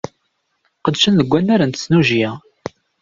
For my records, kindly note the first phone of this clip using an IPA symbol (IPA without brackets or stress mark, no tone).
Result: q